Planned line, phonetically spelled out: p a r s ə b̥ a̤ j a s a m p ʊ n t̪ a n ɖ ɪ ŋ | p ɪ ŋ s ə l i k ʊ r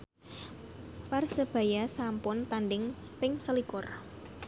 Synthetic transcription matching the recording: p a r s ə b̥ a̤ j a s a m p ʊ n t̪ a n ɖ ɪ ŋ | p ɪ ŋ s ə l i k ʊ r